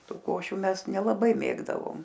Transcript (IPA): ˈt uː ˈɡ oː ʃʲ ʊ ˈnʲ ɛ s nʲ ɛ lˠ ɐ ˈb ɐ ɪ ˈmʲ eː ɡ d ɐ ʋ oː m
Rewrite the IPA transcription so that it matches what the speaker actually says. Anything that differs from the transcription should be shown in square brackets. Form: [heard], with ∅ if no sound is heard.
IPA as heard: ˈt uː [ˈk] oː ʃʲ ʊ [ˈmʲ] ɛ s nʲ ɛ lˠ ɐ ˈb ɐ ɪ ˈmʲ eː ɡ d ɐ ʋ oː m